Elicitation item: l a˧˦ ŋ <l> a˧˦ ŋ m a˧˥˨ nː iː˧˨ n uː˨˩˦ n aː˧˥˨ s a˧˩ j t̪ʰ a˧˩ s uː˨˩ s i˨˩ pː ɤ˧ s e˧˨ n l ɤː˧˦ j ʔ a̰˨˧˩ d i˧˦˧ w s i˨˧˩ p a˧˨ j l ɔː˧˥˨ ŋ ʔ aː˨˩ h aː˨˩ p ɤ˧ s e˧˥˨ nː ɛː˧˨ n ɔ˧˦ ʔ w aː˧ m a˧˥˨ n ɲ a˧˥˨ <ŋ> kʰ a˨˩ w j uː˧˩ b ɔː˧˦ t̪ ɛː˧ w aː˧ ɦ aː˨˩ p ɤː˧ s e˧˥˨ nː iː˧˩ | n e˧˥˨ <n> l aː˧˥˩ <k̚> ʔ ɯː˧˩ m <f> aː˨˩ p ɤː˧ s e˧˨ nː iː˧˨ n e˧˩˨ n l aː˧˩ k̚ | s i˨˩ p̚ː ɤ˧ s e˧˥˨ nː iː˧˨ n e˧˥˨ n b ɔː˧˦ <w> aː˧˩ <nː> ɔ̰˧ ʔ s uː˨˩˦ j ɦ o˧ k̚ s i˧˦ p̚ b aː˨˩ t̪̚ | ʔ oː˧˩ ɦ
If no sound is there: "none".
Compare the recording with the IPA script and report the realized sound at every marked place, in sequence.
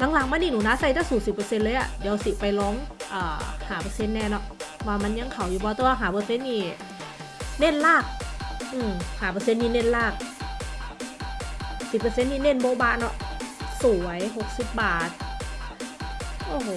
l, ŋ, n, k̚, h, b, n

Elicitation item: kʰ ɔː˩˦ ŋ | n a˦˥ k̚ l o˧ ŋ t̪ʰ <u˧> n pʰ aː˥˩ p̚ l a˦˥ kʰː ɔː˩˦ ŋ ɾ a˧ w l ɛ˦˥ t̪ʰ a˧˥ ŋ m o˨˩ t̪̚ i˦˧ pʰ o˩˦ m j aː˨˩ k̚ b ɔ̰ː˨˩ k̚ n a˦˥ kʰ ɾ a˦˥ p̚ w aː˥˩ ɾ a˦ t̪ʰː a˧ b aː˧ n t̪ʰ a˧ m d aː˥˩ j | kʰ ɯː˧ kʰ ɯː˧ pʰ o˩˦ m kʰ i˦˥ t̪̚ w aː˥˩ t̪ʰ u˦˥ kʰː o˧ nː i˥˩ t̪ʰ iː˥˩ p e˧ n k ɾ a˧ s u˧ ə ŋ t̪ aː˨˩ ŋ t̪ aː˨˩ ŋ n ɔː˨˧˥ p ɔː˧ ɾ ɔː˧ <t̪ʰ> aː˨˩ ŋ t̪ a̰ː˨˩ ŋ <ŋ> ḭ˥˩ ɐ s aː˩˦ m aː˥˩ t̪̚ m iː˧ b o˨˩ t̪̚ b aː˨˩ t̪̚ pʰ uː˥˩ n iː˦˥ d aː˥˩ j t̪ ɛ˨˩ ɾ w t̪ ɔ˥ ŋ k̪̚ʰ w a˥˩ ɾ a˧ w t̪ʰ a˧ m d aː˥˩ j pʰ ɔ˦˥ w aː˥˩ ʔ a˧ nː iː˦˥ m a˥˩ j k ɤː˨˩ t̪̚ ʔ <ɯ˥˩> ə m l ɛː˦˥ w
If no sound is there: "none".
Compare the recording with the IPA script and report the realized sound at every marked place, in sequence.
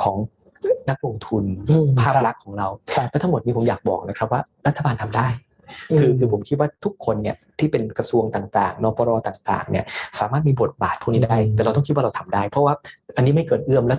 u˧, t̪, n, ɯ˥˩

